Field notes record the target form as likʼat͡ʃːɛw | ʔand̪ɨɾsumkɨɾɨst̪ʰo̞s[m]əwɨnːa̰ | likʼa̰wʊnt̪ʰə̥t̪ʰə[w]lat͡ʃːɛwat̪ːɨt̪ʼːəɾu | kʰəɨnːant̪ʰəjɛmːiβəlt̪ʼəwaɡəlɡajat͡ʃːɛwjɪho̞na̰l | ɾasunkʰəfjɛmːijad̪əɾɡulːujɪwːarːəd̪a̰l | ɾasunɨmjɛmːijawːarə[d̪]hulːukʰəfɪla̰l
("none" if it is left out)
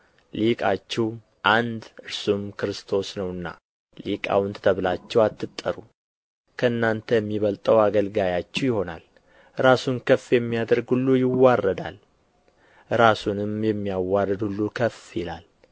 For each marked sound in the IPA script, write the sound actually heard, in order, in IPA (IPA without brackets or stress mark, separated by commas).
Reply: n, β, d̪